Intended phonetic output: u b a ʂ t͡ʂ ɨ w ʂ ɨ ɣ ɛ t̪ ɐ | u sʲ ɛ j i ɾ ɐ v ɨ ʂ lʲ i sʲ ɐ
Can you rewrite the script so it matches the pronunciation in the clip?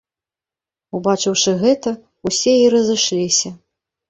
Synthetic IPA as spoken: u b a t͡ʂ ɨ w ʂ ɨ ɣ ɛ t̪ ɐ | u sʲ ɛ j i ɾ ɐ z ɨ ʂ lʲ i sʲ ɐ